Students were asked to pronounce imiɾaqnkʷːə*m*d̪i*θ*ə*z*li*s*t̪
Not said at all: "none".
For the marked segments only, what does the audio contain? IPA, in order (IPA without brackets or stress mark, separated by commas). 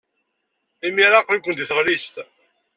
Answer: n, θ, ʁ, s